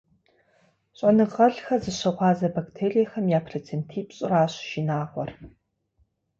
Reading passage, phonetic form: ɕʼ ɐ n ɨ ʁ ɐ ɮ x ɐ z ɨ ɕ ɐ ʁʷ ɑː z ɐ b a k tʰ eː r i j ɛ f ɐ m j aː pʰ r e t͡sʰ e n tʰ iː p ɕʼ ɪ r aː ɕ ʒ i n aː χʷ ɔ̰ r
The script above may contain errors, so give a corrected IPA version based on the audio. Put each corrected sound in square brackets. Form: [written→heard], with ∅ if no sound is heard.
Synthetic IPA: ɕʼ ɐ n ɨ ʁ ɐ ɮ x ɐ z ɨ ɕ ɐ ʁʷ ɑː z ɐ b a k tʰ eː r i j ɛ [f→x] ɐ m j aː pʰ r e t͡sʰ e n tʰ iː p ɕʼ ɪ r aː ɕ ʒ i n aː [χʷ→ʁʷ] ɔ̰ r